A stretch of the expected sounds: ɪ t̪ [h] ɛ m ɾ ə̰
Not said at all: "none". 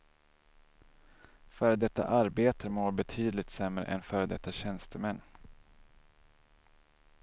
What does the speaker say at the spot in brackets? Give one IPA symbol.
s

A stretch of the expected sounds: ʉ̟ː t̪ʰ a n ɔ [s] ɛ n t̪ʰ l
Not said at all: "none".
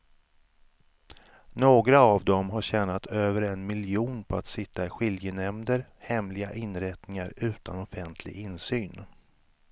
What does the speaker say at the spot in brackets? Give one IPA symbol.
f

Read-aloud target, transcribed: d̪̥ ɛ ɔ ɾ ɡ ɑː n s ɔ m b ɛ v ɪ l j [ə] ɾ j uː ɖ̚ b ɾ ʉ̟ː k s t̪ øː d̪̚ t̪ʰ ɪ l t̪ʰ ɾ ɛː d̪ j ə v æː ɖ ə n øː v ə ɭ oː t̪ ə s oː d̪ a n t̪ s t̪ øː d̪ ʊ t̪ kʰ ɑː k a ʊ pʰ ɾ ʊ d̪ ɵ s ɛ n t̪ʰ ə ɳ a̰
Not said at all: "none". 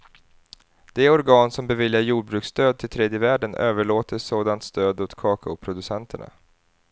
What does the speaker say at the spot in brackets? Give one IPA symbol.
a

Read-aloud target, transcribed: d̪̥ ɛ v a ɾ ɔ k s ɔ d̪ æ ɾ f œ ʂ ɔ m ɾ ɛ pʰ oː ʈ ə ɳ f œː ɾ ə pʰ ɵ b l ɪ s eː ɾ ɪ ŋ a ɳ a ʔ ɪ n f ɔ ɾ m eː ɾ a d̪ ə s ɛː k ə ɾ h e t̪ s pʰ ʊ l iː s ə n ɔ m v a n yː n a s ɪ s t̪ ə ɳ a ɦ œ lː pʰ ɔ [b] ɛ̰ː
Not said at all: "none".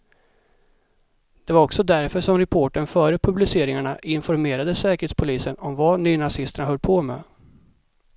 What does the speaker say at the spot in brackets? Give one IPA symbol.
m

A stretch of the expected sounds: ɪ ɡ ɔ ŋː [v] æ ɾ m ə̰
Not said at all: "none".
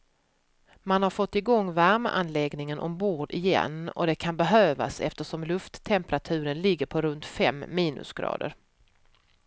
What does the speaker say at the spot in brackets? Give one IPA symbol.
v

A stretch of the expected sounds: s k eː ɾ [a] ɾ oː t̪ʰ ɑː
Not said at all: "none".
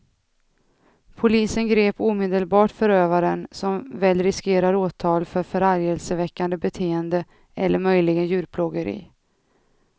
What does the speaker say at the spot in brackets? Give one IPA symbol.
a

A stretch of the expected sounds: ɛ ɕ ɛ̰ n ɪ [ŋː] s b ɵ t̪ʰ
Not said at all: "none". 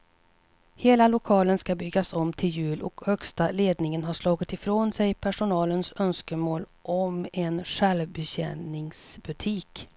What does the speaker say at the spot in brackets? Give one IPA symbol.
ŋ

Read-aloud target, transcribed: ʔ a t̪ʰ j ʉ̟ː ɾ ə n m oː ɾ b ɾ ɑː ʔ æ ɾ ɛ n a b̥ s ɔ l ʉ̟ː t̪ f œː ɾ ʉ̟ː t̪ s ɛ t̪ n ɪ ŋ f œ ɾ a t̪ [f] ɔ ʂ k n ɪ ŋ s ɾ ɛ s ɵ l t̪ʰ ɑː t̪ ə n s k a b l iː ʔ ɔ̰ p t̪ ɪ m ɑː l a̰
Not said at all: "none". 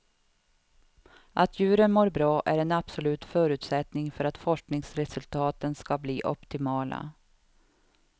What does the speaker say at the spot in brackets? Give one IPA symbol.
f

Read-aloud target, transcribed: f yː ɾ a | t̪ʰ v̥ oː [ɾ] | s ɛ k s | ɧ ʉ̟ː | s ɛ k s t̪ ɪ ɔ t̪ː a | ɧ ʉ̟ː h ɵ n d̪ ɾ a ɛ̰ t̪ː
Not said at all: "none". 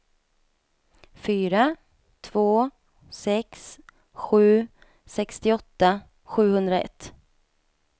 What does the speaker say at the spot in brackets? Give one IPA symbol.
none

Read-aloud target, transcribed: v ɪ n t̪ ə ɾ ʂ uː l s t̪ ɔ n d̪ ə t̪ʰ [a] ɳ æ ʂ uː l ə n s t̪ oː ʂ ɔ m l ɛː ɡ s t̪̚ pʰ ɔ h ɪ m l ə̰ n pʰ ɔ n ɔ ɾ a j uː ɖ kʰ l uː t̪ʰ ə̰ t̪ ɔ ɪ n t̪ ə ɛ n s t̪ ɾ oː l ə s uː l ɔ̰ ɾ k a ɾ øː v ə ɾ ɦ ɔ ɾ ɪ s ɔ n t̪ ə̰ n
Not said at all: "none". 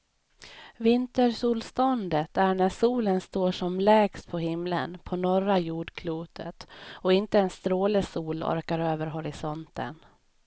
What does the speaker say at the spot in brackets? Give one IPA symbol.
æ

